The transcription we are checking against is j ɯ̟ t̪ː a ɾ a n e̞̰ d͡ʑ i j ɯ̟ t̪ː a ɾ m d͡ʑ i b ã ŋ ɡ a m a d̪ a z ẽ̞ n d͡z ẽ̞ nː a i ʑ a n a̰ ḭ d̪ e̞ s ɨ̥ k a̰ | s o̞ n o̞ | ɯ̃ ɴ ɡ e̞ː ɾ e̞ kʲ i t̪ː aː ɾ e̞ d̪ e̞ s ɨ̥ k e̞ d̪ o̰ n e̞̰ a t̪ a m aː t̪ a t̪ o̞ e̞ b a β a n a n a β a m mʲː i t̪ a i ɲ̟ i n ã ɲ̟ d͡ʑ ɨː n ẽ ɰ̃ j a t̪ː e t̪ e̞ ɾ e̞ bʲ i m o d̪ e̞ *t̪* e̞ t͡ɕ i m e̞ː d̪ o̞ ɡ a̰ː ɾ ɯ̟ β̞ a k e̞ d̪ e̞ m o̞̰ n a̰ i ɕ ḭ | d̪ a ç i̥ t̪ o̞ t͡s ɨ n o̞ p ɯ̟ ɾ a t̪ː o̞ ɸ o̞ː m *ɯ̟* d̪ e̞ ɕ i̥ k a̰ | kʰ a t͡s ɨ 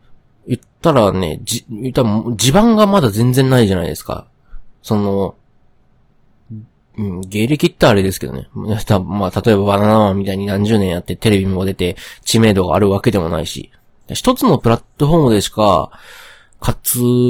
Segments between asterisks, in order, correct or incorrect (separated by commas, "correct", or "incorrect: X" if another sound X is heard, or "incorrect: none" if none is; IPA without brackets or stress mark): correct, correct